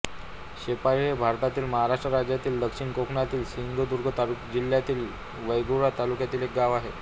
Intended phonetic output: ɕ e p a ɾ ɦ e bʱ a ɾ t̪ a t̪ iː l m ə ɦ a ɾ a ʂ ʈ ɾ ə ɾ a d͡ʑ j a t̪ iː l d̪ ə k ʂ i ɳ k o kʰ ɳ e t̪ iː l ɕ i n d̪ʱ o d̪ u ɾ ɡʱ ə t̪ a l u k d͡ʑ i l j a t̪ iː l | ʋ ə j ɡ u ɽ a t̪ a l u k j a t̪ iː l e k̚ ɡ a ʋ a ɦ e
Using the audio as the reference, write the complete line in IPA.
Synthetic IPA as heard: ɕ e p a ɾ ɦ e bʱ a ɾ t̪ a t̪ iː l m ə ɦ a ɾ a ʂ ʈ ɾ ə ɾ a d͡ʑ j a t̪ iː l d̪ ə k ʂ i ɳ k o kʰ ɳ a t̪ iː l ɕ i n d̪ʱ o d̪ u ɾ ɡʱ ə t̪ a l u k d͡ʑ i l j a t̪ iː l | ʋ ə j ɡ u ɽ a t̪ a l u k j a t̪ iː l e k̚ ɡ a ʋ a ɦ e